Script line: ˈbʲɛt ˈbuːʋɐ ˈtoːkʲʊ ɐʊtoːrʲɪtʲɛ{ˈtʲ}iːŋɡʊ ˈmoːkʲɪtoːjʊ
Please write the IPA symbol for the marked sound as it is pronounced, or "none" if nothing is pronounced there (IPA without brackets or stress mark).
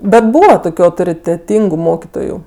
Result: tʲ